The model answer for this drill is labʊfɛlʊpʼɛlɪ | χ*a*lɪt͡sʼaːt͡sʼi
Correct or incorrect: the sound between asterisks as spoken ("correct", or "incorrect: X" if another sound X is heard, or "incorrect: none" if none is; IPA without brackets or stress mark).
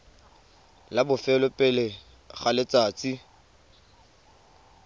correct